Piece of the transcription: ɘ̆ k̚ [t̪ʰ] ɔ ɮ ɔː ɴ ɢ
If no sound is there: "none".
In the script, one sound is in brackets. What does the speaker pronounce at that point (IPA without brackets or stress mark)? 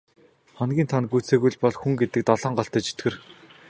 t̪